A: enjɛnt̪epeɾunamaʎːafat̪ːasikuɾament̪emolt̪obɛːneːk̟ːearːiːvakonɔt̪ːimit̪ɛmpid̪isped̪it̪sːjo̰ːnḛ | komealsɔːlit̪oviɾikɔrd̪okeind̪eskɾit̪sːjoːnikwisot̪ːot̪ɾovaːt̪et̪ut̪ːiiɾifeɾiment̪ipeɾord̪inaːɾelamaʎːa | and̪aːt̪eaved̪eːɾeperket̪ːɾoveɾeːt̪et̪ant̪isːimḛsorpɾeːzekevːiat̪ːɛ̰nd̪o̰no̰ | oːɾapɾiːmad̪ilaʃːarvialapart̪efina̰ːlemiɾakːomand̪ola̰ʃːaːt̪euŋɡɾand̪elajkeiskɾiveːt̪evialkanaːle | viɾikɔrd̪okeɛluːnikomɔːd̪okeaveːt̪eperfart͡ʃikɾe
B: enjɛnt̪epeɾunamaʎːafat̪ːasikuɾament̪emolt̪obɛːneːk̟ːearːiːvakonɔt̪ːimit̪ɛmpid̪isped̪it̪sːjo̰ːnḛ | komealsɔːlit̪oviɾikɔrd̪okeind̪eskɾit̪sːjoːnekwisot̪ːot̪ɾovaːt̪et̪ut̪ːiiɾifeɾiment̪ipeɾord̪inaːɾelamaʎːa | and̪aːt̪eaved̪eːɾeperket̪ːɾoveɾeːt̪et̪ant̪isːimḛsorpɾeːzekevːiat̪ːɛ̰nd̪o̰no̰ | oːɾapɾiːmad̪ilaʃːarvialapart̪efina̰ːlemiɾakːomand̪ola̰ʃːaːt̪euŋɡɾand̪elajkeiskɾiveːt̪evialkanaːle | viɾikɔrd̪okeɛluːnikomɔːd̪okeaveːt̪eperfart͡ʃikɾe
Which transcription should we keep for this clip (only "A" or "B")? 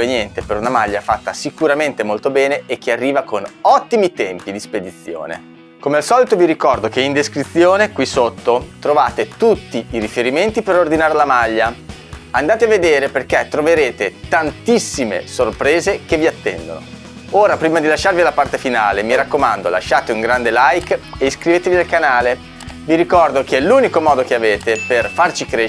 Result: B